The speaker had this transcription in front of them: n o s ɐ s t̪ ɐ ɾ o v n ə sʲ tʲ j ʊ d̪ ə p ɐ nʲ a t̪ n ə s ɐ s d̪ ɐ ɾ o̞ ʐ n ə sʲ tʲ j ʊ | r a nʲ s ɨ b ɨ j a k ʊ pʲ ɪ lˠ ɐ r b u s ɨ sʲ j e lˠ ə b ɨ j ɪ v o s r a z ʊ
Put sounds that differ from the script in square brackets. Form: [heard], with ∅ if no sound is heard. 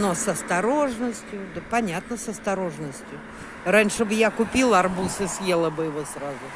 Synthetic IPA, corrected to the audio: n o s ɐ s t̪ ɐ ɾ o [ʐ] n ə sʲ tʲ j ʊ d̪ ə p ɐ nʲ a t̪ n ə s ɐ s [t̪] ɐ ɾ o̞ ʐ n ə sʲ tʲ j ʊ | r a nʲ [ʂ] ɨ b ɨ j a k ʊ pʲ [i] lˠ ɐ r b u s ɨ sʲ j e lˠ ə b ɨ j ɪ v o s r a z ʊ